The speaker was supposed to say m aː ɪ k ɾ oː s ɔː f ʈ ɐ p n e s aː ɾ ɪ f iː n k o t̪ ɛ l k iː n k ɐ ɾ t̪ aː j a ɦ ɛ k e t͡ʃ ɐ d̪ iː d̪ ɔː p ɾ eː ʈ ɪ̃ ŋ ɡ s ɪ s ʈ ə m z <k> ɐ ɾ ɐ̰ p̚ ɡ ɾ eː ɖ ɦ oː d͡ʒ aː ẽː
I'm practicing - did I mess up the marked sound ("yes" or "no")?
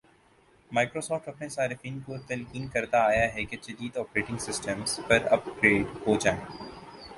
yes